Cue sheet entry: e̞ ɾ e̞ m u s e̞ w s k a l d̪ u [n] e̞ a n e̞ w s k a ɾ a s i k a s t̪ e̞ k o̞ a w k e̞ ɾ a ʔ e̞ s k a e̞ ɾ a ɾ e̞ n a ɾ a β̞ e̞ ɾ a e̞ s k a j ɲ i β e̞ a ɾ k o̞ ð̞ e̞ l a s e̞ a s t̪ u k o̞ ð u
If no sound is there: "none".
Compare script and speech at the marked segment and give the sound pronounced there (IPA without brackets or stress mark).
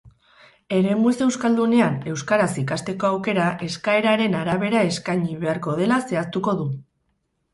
n